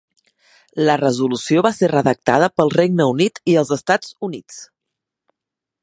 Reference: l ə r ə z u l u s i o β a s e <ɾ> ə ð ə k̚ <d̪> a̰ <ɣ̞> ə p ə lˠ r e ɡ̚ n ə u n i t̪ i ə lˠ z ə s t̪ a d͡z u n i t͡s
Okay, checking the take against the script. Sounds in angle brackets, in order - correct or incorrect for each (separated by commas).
incorrect, incorrect, incorrect